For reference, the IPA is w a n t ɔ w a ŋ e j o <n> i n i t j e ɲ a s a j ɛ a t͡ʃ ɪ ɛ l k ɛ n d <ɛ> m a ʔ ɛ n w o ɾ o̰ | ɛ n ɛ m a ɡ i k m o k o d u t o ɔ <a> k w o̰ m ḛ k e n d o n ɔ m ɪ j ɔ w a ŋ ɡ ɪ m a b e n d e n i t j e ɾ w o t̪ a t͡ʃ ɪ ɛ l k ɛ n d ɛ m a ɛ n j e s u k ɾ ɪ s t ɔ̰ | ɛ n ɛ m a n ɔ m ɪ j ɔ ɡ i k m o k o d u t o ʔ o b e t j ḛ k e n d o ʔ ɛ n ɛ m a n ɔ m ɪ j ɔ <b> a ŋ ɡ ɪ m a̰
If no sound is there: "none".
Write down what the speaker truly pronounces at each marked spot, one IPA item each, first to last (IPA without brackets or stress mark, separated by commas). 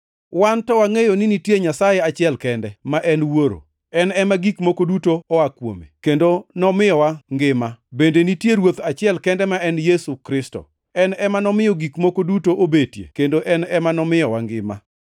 n, ɛ, a, w